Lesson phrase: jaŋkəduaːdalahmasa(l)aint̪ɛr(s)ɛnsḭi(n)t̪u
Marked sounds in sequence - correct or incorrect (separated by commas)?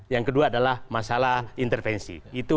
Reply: correct, incorrect, incorrect